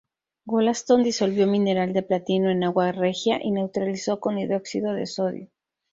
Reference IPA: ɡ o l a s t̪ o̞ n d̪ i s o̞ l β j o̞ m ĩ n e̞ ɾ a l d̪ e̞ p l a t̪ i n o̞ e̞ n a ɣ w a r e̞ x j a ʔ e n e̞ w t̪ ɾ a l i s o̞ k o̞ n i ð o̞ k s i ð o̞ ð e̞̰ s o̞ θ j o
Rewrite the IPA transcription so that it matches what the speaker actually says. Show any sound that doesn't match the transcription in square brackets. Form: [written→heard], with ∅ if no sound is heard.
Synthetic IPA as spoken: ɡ o l a s t̪ o̞ n d̪ i s o̞ l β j o̞ m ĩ n e̞ ɾ a l d̪ e̞ p l a t̪ i n o̞ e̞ n a ɣ w a r e̞ x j a ʔ [e→i] n e̞ w t̪ ɾ a l i s o̞ k o̞ n i ð o̞ k s i ð o̞ ð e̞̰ s o̞ [θ→ð] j o